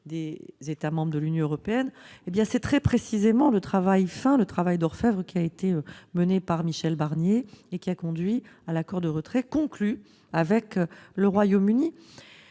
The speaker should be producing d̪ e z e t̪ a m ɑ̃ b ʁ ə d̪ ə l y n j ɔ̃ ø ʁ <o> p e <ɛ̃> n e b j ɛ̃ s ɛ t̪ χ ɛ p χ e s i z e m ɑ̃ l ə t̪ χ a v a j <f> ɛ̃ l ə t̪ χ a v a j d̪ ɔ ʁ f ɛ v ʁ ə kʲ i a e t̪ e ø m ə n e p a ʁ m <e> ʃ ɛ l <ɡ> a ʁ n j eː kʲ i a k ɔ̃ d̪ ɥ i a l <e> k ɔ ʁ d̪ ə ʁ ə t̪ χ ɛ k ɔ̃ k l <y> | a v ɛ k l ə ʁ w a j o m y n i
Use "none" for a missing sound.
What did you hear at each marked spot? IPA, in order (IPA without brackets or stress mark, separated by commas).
ɔ, ɛ, f, i, b, a, y